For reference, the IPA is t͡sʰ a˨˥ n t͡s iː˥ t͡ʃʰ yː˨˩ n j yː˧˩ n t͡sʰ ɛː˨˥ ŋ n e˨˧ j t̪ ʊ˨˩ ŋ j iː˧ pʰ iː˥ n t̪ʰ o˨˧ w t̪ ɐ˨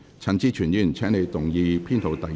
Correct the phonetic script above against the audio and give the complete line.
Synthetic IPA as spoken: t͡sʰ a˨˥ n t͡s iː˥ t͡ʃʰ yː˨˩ n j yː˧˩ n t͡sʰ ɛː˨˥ ŋ n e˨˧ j t̪ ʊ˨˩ ŋ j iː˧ pʰ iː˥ n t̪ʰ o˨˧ w t̪ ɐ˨

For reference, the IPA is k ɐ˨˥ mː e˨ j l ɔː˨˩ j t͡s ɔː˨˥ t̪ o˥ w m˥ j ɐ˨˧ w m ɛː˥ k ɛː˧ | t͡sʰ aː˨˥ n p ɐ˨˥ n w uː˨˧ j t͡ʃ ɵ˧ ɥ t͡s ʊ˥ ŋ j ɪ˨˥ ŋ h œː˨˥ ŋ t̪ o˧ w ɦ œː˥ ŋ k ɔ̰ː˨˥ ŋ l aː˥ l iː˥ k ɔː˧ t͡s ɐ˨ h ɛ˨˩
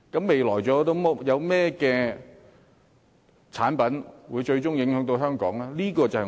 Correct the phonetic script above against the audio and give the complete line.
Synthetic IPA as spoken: k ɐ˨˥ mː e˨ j l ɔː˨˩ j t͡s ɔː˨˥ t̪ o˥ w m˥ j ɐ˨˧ w m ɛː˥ k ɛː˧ | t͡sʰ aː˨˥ n p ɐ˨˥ n w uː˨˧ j t͡ʃ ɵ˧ ɥ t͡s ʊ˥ ŋ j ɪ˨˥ ŋ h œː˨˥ ŋ t̪ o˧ w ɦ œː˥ ŋ k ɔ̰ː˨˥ ŋ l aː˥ l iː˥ k ɔː˧ t͡s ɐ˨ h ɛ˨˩

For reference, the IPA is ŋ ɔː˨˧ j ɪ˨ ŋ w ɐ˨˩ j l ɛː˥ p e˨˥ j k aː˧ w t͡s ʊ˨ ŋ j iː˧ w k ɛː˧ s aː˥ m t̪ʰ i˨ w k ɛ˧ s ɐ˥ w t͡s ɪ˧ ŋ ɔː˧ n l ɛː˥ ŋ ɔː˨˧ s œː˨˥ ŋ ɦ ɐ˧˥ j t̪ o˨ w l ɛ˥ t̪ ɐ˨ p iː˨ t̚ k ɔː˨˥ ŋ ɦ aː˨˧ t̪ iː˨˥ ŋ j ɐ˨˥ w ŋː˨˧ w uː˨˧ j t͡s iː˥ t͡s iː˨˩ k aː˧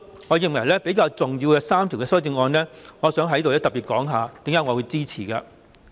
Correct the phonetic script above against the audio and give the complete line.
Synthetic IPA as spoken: ŋ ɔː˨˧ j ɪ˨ ŋ w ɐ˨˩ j l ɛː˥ p e˨˥ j k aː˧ w t͡s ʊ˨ ŋ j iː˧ w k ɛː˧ s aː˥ m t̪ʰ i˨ w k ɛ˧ s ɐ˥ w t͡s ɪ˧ ŋ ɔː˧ n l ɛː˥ ŋ ɔː˨˧ s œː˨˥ ŋ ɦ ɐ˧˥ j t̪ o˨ w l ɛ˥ t̪ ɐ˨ p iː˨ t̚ k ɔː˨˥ ŋ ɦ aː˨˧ t̪ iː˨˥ ŋ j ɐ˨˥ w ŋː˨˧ w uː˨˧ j t͡s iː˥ t͡sʰ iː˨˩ k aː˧

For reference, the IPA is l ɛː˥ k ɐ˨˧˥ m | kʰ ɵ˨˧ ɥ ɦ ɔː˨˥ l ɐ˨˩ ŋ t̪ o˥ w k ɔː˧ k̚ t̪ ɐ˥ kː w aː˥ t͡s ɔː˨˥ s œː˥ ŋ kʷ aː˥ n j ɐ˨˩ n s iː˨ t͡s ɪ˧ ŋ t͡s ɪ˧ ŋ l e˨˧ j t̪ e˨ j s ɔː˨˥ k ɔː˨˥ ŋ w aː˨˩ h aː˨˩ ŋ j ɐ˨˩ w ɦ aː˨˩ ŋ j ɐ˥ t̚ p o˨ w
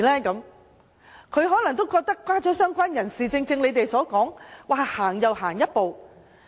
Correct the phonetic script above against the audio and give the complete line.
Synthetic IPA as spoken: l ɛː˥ k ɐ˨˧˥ m | kʰ ɵ˨˧ ɥ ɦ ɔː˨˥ l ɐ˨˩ ŋ t̪ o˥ w k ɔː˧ k̚ t̪ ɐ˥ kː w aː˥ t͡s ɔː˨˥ s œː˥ ŋ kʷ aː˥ n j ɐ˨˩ n s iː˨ t͡s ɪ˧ ŋ t͡s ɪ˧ ŋ l e˨˧ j t̪ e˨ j s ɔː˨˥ k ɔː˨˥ ŋ w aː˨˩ h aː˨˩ ŋ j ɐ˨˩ w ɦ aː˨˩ ŋ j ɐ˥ t̚ p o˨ w

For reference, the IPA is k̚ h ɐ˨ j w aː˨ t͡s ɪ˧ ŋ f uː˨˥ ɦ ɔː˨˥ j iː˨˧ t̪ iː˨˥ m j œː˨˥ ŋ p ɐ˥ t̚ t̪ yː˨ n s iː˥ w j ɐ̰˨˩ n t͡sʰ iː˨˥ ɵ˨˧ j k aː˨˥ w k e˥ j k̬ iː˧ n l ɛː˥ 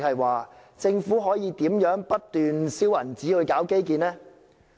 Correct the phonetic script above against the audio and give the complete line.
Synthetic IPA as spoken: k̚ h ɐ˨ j w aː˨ t͡s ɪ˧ ŋ f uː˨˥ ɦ ɔː˨˥ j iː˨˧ t̪ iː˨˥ m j œː˨˥ ŋ p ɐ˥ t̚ t̪ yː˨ n s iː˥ w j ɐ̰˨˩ n t͡s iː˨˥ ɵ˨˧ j k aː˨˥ w k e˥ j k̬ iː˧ n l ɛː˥

